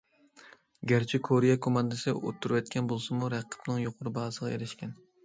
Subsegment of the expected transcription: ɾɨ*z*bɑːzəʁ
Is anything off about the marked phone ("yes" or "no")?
yes